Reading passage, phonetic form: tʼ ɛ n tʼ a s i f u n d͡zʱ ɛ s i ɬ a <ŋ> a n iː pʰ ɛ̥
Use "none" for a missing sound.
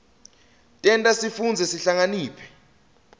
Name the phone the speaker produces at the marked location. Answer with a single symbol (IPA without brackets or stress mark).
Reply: ŋ